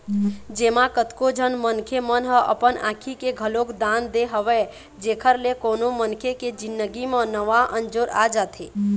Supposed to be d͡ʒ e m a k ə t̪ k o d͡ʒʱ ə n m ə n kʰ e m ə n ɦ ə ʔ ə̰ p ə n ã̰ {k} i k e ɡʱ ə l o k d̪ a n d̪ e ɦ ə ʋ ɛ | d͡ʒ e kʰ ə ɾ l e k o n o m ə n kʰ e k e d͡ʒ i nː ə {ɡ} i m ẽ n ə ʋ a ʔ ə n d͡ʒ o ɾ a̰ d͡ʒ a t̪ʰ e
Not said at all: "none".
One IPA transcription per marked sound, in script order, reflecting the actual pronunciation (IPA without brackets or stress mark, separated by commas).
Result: kʰ, ɡ